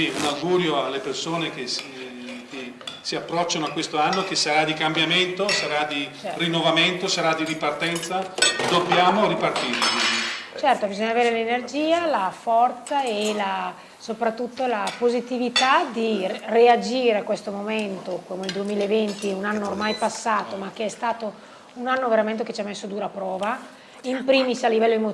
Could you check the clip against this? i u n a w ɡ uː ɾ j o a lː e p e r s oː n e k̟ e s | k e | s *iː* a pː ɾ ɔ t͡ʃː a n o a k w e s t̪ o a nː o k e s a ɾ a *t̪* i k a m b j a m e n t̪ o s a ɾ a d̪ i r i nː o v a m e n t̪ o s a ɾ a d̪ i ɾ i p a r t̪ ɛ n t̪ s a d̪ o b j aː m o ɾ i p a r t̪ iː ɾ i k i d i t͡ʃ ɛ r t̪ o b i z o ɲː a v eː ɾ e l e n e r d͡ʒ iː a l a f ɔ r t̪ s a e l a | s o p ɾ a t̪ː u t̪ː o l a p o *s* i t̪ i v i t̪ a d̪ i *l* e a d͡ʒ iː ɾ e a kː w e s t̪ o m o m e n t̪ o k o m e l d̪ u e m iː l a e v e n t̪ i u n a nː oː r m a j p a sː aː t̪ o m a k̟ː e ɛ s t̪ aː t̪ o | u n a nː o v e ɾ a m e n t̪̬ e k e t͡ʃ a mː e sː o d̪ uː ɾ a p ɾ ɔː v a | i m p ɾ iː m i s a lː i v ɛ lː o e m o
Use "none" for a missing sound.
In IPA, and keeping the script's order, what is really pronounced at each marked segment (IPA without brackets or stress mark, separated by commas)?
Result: i, d̪, z, r